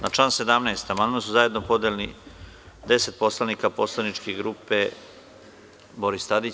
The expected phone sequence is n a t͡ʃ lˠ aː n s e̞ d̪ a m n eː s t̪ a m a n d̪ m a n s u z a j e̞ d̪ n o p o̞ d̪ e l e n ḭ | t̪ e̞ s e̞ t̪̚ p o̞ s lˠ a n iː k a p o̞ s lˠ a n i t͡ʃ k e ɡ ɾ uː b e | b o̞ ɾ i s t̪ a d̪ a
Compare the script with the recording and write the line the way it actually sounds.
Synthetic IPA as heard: n a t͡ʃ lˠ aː n s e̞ d̪ a m n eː s t̪ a m a n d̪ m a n s u z a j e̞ d̪ n o p o̞ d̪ e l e n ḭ | d̪ e̞ s e̞ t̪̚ p o̞ s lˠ a n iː k a p o̞ s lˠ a n i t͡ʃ k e ɡ ɾ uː p e | b o̞ ɾ i s t̪ a d̪ i

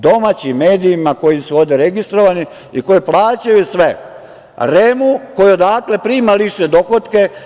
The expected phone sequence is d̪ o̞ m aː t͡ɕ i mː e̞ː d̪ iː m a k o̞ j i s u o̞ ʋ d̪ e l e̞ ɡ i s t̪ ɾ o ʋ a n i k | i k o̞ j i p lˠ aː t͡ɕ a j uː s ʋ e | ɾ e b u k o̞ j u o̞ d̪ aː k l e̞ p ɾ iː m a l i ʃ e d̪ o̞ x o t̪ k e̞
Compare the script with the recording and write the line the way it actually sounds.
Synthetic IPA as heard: d̪ o̞ m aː t͡ɕ i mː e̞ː d̪ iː m a k o̞ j i s u o̞ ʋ d̪ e ɾ e̞ ɡ i s t̪ ɾ o ʋ a n i | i k o̞ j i p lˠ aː t͡ɕ a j u s ʋ e | ɾ e m u k o̞ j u o̞ d̪ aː k l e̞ p ɾ iː m a l i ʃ e d̪ o̞ x o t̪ k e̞

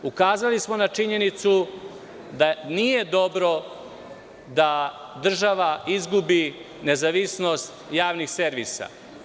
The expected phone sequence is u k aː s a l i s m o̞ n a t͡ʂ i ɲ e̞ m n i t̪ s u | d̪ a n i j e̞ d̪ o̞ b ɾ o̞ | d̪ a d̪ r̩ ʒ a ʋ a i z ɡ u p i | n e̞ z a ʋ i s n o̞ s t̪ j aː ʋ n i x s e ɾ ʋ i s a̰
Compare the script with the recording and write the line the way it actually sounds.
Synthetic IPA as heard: u k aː z a l i s m o̞ n a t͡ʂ i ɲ e̞ n i t̪ s u | d̪ a n i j e̞ d̪ o̞ b ɾ o̞ | d̪ a d̪ r̩ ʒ a ʋ a i z ɡ u b i | n e̞ z a ʋ i s n o̞ s t̪ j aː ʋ n i x s e ɾ ʋ i s a̰

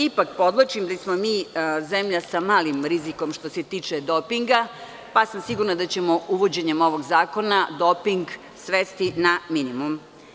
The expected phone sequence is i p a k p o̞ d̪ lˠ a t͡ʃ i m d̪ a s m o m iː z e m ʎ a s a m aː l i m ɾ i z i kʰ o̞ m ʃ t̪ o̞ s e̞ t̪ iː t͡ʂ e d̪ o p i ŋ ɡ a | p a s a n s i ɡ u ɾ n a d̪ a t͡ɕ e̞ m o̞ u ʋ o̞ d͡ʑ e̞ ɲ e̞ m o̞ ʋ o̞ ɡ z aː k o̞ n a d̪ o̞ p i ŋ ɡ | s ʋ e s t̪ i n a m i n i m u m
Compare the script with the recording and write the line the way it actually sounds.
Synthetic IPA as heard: i p a k p o̞ d̪ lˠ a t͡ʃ i m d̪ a s m o m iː z e m ʎ a s a m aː l i m ɾ i z i k o̞ m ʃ t̪ o̞ s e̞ t̪ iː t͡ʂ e d̪ o p i ŋ ɡ a | p a s a m s i ɡ u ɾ n a d̪ a t͡ɕ e̞ m o̞ u ʋ o̞ d͡ʑ e̞ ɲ e̞ m o̞ ʋ o̞ ɡ z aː k o̞ n a d̪ o̞ p i ŋ ɡ | s ʋ e s t̪ i n a m i n i m u m

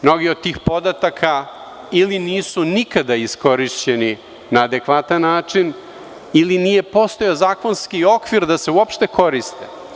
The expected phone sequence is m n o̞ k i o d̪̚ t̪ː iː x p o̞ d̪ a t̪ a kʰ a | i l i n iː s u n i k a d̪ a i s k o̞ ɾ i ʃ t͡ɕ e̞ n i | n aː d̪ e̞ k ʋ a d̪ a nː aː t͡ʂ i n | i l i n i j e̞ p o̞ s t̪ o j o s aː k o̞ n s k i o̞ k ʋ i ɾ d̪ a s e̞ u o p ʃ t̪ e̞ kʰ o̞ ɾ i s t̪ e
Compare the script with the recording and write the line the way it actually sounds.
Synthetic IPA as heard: m n o̞ ɡ i o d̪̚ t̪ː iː x p o̞ d̪ a t̪ a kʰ a | i l i n iː s u n i k a d̪ a i s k o̞ ɾ i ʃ t͡ɕ e̞ n i | n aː d̪ e̞ k ʋ a t̪ a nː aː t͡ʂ i n | i l i n i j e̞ p o̞ s t̪ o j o z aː k o̞ n s k i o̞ k ʋ i ɾ d̪ a s e̞ u o p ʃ t̪ e̞ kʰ o̞ ɾ i s t̪ e

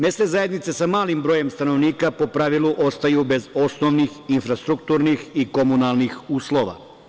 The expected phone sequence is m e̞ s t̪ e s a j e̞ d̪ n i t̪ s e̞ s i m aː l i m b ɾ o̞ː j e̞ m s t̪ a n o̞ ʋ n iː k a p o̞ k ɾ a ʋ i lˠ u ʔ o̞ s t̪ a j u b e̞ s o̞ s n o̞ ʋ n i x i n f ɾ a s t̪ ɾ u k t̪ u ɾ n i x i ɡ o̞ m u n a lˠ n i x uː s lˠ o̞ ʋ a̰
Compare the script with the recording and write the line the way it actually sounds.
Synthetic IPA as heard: m e̞ s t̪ e z a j e̞ d̪ n i t̪ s e̞ s a m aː l i m b ɾ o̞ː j e̞ m s t̪ a n o̞ ʋ n iː k a p o̞ p ɾ a ʋ i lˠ u ʔ o̞ s t̪ a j u b e̞ z o̞ s n o̞ ʋ n i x i n f ɾ a s t̪ ɾ u k t̪ u ɾ n i x i k o̞ m u n a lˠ n i x uː s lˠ o̞ ʋ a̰

